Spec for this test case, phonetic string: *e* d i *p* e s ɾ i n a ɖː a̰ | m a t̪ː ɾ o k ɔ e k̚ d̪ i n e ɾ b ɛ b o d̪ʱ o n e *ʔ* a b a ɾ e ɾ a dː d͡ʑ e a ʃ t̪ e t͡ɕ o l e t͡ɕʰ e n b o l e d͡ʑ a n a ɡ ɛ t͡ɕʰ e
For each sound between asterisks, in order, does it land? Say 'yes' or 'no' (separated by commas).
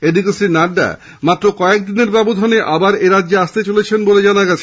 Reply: yes, no, yes